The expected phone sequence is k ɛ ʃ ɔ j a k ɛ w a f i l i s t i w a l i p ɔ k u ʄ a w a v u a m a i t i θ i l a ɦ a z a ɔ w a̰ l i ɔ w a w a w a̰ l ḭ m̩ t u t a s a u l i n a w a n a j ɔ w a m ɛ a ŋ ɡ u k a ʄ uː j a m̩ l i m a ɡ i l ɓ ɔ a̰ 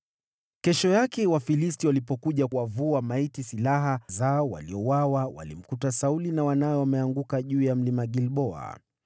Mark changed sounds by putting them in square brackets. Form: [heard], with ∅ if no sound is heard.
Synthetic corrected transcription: k ɛ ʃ ɔ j a k ɛ w a f i l i s t i w a l i p ɔ k u ʄ a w a v u a m a i t i [s] i l a ɦ a z a ɔ w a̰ l i ɔ w a w a w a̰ l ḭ m̩ [k] u t a s a u l i n a w a n a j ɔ w a m ɛ a ŋ ɡ u k a ʄ uː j a m̩ l i m a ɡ i l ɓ ɔ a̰